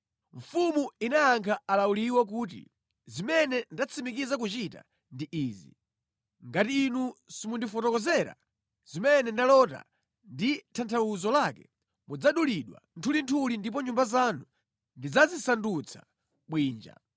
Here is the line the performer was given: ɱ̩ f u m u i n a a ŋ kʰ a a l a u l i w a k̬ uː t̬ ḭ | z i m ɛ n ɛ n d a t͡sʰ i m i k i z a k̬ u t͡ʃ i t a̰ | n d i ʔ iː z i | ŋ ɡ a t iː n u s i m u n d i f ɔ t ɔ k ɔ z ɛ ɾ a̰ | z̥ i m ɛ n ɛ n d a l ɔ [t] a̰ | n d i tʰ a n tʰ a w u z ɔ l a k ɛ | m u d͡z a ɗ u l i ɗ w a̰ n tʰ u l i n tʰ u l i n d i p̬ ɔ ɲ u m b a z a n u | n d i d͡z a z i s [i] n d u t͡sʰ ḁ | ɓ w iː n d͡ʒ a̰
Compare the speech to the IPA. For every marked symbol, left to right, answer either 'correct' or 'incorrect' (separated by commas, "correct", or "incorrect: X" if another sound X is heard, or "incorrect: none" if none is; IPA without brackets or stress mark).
correct, incorrect: a